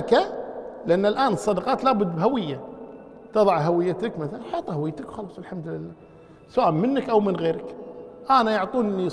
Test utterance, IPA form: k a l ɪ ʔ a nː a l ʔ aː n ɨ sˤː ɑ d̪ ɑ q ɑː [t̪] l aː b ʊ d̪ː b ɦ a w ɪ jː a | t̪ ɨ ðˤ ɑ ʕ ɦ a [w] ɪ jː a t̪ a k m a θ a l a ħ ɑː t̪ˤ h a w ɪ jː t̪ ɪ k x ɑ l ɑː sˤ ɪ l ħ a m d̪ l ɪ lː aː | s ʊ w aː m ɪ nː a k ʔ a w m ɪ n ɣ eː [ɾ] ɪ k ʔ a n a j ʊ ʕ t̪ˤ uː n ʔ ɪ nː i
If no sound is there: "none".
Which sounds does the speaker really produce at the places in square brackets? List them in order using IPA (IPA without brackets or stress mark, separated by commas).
t̪, w, ɾ